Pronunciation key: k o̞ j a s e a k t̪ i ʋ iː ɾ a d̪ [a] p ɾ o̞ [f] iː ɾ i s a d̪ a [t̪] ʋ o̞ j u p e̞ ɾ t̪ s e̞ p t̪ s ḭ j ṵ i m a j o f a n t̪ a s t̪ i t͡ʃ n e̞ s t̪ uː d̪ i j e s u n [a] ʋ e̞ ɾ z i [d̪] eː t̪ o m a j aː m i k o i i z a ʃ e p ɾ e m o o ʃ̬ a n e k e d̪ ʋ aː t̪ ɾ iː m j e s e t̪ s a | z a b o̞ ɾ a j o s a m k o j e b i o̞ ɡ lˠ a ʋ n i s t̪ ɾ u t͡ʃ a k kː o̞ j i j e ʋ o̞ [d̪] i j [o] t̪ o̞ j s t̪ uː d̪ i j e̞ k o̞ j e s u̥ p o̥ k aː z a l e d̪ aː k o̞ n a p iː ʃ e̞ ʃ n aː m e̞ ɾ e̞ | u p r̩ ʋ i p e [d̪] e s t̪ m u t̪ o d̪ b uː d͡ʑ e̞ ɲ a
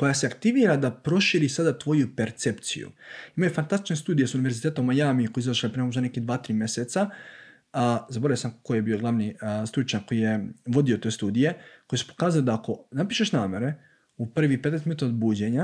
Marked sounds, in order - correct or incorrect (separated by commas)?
correct, incorrect, correct, incorrect, incorrect, correct, correct, incorrect